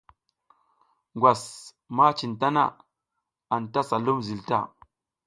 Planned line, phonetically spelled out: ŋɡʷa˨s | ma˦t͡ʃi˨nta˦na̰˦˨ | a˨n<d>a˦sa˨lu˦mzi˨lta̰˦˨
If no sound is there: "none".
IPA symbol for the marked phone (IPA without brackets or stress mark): t